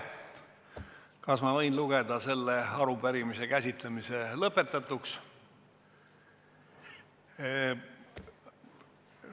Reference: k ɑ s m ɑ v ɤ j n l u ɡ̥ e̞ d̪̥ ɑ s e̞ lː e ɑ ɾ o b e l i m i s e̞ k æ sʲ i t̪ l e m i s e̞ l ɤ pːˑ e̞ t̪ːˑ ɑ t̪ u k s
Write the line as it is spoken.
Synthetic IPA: k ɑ s m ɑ v ɤ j n l u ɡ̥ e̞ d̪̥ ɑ s e̞ lː e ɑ ɾ u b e ɾ i m i s e̞ k æ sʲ i t̪ l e m i s e̞ l ɤ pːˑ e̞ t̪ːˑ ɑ t̪ u k s